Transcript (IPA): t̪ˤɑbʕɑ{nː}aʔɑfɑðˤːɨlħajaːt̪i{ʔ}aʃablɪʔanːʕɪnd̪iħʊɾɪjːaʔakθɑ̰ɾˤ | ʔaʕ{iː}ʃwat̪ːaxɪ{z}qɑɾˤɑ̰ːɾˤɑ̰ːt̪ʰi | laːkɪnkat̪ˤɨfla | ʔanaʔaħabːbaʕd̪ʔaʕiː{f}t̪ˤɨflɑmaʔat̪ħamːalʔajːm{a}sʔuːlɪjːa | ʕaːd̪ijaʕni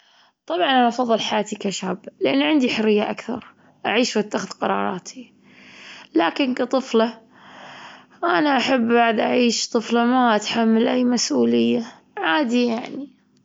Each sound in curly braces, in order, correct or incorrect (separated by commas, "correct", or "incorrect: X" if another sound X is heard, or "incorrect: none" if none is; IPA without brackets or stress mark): incorrect: n, incorrect: k, correct, incorrect: ð, incorrect: ʃ, correct